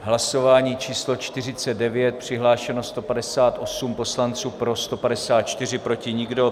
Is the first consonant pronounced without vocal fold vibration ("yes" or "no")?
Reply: no